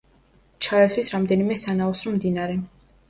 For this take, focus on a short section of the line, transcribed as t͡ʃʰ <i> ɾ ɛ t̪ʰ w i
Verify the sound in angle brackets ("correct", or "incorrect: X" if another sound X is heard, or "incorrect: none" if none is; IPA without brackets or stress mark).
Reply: incorrect: a